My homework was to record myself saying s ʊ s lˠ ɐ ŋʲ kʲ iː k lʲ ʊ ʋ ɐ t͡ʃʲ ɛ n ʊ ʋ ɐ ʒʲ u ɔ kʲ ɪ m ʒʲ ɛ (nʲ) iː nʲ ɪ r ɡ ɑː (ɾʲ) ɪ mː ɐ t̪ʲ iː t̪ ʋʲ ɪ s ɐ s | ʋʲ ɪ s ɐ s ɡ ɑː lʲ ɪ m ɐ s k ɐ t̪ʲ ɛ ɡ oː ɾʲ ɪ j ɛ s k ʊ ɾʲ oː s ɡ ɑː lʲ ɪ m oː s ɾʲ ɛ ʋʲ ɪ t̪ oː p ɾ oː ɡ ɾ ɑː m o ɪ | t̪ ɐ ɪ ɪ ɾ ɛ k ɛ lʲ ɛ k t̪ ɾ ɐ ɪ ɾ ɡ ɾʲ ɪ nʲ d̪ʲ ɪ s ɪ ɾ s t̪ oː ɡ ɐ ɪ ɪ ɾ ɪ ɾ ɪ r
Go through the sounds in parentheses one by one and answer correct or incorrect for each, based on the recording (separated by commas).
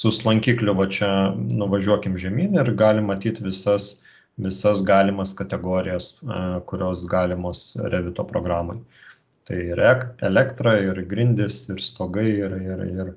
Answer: incorrect, incorrect